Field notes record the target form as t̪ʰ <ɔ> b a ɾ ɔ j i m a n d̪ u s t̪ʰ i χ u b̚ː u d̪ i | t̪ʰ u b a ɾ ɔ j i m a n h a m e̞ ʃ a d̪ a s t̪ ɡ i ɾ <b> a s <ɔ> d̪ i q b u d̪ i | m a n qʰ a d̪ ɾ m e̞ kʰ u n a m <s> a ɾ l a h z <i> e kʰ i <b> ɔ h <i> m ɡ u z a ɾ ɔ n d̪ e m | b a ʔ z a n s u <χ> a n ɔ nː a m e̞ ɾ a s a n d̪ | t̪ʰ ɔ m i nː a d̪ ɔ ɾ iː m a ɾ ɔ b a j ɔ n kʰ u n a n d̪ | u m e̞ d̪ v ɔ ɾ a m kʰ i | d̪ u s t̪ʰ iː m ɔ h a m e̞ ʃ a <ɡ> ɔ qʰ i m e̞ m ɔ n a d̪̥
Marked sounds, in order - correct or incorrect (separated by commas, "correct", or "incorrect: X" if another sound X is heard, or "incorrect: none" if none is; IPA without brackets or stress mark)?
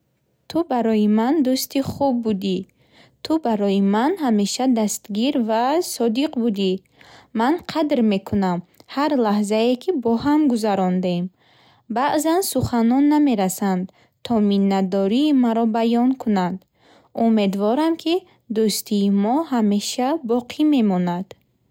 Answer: incorrect: u, incorrect: v, correct, incorrect: h, incorrect: a, correct, incorrect: a, correct, incorrect: b